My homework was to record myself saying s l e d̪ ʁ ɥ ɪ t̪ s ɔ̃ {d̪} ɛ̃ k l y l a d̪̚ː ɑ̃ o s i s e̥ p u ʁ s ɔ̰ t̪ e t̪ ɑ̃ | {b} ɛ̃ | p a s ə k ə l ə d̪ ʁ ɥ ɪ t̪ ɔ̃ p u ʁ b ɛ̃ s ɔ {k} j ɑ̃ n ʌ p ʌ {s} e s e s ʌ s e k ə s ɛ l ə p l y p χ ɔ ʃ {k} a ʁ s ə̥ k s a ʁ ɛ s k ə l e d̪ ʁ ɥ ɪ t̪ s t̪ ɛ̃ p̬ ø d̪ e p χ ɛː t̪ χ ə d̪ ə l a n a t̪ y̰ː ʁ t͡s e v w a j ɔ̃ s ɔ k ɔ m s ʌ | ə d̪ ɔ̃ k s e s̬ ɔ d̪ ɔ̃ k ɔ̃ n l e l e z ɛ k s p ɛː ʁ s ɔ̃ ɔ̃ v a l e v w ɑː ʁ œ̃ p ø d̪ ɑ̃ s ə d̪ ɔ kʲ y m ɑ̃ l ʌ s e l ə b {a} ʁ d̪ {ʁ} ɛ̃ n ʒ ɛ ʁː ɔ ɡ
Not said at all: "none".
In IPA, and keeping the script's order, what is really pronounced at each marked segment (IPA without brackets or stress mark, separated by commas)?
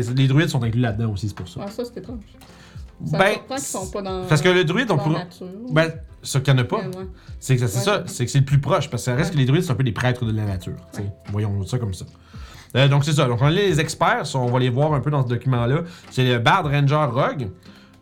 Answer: t̪, b, k, s, p, a, ʁ